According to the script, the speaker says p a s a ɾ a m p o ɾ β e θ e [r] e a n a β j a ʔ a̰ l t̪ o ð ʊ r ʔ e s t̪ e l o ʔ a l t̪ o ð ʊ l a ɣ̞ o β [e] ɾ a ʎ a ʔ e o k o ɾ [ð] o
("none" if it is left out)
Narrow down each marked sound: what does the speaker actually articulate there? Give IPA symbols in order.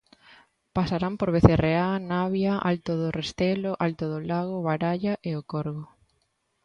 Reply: r, a, ɣ

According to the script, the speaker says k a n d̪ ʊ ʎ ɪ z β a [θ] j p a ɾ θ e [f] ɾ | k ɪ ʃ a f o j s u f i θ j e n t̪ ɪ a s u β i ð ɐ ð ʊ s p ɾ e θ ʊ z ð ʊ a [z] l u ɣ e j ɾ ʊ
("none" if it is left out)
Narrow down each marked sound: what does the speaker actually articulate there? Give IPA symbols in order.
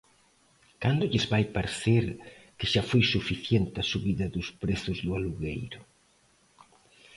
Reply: none, none, none

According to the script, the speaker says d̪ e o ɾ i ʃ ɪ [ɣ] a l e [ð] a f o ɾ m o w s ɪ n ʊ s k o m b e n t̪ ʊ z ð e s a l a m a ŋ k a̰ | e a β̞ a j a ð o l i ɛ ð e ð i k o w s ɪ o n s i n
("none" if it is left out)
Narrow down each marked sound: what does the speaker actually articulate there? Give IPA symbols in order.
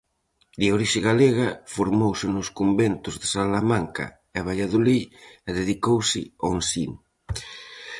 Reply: ɣ, ɣ

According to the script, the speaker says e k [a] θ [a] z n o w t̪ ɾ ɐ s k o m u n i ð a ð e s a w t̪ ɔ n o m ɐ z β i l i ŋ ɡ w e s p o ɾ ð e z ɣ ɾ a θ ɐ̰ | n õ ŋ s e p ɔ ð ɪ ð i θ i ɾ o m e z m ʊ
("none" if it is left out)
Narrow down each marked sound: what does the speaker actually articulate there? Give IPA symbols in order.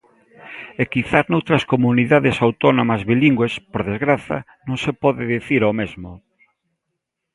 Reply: i, a

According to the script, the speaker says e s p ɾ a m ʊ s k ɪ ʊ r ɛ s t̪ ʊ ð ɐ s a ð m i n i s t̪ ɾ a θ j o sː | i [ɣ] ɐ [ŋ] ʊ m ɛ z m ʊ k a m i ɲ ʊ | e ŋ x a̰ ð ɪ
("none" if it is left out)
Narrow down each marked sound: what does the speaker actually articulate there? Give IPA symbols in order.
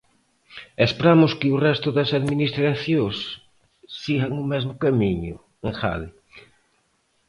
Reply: ɣ, ŋ

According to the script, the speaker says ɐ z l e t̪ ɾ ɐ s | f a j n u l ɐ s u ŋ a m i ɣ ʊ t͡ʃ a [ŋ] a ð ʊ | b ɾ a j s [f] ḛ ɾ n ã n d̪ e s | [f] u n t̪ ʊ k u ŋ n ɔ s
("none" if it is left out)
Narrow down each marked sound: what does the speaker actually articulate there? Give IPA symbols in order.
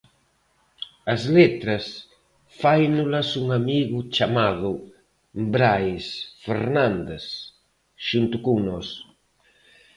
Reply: m, f, ʃ

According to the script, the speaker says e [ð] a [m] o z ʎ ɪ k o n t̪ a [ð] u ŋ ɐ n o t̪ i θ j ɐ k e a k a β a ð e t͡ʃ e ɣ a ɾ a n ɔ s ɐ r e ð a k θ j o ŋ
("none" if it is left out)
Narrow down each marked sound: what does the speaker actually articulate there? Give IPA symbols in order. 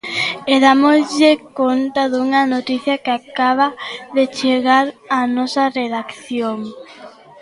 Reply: ð, m, ð

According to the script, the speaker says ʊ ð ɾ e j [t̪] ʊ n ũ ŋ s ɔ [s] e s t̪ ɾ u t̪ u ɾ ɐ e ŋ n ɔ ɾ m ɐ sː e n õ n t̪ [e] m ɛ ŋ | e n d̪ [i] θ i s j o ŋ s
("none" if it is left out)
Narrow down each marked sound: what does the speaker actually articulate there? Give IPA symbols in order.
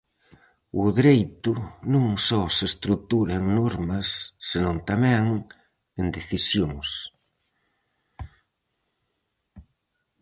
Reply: t̪, s, a, e

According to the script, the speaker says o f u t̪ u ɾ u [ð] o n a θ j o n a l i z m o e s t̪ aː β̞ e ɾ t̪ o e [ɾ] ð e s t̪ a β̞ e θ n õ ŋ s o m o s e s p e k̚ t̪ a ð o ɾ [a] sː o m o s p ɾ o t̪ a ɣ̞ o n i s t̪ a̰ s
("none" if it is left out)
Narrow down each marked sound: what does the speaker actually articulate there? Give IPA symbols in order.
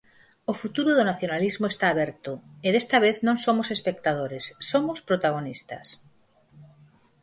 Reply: ð, none, e

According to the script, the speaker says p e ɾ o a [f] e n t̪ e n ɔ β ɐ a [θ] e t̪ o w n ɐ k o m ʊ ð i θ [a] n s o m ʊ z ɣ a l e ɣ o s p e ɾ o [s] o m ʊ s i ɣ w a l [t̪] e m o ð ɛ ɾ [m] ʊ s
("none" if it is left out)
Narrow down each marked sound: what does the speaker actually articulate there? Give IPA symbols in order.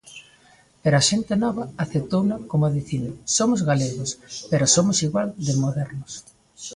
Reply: ʃ, θ, i, s, d̪, n

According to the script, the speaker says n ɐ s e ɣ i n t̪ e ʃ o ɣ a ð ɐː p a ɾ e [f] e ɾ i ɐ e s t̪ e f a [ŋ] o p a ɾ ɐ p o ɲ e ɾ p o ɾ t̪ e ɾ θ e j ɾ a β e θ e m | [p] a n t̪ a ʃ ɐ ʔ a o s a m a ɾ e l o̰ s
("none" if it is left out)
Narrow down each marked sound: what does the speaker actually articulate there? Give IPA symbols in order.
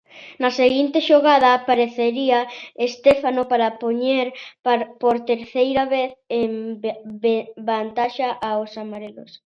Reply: θ, n, b

